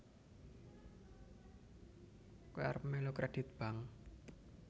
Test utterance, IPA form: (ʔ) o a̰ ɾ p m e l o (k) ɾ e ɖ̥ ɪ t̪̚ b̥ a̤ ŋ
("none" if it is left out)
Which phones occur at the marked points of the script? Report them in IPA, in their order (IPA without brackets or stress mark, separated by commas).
k, k